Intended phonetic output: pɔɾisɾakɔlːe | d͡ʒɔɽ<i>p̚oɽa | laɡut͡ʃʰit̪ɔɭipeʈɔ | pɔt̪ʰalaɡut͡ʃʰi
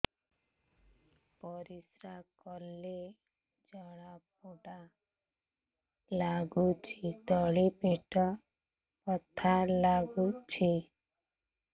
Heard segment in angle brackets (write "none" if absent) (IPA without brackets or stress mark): a